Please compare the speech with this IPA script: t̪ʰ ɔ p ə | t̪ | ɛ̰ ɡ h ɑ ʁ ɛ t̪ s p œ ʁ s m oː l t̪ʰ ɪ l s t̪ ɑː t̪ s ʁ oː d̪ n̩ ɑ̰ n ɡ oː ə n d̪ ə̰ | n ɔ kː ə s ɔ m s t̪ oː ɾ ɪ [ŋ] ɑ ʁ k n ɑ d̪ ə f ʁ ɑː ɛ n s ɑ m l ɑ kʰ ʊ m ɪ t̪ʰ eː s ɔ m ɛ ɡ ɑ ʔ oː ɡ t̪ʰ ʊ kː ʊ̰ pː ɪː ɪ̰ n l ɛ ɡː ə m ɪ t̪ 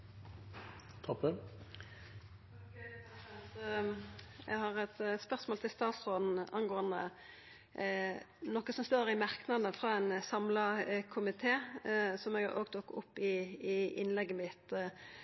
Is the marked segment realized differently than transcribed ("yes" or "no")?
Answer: yes